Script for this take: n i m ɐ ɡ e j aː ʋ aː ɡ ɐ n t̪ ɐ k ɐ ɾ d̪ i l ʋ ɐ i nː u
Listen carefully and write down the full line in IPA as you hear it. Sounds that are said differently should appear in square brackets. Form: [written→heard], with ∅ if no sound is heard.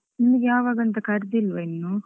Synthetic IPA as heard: n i m ɐ ɡ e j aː ʋ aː ɡ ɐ n t̪ ɐ k ɐ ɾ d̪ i l ʋ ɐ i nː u